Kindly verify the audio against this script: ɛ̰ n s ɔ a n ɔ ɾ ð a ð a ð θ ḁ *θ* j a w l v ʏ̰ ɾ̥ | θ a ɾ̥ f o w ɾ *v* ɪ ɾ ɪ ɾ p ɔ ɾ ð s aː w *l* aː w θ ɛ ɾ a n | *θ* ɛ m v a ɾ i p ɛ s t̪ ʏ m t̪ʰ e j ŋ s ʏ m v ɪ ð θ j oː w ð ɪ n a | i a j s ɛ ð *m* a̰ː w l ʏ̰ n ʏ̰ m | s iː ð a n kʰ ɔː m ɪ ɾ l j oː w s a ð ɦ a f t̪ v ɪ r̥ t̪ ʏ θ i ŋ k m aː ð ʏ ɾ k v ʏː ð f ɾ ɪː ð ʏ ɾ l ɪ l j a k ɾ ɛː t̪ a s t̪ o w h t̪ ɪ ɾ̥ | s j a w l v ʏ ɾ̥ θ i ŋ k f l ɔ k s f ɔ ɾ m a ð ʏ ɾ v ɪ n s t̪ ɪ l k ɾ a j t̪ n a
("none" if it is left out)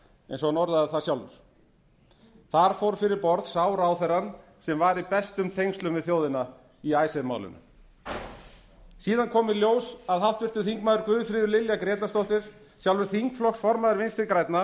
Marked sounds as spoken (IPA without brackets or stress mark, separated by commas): s, f, ɾ, s, m